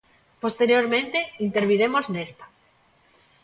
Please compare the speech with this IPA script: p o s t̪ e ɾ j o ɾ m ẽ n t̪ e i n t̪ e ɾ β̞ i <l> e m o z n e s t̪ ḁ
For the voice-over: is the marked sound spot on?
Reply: no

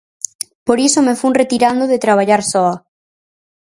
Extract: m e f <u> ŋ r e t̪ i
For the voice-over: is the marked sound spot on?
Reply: yes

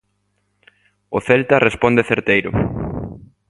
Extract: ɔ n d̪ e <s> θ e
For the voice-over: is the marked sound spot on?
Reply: no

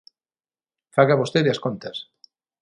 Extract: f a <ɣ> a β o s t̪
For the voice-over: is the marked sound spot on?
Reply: yes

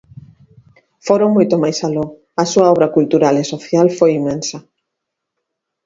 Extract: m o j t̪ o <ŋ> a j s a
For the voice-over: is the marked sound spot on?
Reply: no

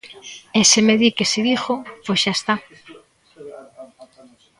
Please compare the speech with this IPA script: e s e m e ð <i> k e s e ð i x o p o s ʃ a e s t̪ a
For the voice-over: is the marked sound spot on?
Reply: yes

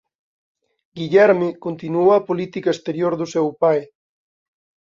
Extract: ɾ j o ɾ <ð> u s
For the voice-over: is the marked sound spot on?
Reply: yes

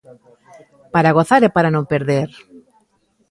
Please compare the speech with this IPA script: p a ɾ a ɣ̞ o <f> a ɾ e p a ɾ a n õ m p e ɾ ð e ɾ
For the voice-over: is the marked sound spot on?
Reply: no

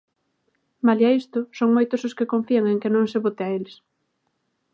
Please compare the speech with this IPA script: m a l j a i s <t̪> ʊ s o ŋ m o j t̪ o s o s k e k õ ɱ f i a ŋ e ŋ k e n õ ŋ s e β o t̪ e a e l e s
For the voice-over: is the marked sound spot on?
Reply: yes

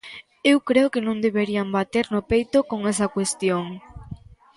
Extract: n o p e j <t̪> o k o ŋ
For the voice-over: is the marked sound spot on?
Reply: yes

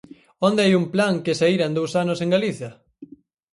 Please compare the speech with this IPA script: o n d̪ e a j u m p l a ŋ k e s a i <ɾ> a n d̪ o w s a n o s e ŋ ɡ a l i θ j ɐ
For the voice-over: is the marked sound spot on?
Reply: yes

